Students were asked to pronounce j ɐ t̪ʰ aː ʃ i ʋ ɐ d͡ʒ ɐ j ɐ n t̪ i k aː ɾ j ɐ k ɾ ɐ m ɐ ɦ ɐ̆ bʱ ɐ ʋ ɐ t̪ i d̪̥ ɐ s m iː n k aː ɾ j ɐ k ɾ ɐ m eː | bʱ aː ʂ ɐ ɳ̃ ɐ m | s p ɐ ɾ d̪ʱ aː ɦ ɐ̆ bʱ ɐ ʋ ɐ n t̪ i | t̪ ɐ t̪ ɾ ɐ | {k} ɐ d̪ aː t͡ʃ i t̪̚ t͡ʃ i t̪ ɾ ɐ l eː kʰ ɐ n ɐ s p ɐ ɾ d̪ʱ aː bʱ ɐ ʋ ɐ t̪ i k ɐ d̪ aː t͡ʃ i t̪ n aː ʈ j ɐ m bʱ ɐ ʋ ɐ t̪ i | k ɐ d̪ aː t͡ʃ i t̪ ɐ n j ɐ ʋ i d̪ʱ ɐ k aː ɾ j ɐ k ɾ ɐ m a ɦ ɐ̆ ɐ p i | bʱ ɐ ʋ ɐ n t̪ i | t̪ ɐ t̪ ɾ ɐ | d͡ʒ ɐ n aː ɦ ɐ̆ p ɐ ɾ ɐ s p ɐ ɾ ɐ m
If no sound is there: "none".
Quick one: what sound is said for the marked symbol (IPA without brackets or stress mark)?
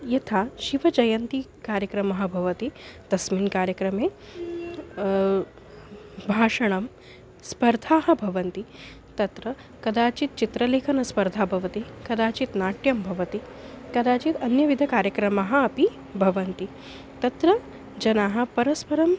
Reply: k